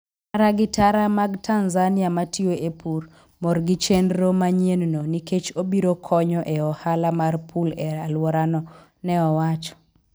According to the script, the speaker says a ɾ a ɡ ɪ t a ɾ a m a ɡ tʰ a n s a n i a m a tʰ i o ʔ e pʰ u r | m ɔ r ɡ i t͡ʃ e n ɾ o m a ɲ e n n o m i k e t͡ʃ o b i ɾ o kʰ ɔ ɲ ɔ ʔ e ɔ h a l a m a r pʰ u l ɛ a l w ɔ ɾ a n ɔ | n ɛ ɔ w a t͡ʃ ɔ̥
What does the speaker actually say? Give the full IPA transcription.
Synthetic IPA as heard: a ɾ a ɡ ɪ t a ɾ a m a ɡ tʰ a n z a n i a m a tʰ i o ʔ e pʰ u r | m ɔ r ɡ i t͡ʃ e n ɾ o m a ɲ e n n o n i k e t͡ʃ o b i ɾ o kʰ ɔ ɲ ɔ ʔ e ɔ h a l a m a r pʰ u l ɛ a l w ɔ ɾ a n ɔ | n ɛ ɔ w a t͡ʃ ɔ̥

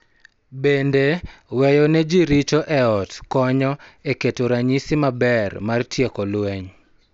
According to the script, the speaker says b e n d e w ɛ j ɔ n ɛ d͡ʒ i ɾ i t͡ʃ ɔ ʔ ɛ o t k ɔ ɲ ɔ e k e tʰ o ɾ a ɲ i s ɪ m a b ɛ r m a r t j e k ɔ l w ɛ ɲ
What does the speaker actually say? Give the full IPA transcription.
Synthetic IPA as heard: b e n d e w ɛ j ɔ n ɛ d͡ʒ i ɾ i t͡ʃ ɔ ʔ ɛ ɔ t k ɔ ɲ ɔ e k e t o ɾ a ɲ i s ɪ m a b ɛ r m a r t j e k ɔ l w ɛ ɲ

